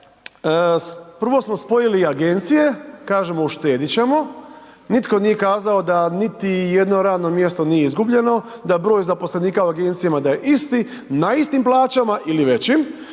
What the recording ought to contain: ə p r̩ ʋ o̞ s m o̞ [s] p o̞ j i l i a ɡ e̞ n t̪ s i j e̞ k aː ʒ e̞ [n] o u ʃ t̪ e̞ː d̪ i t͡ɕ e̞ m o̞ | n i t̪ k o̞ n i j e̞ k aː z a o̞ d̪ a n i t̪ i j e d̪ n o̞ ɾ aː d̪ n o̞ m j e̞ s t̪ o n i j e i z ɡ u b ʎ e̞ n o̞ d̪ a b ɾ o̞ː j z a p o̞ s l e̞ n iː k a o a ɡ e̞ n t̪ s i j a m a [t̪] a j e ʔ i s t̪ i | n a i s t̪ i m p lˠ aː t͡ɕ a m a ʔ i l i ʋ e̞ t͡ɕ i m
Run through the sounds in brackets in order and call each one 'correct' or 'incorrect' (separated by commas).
correct, incorrect, incorrect